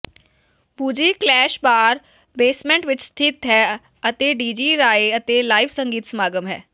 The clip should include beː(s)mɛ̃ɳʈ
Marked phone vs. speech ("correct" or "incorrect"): correct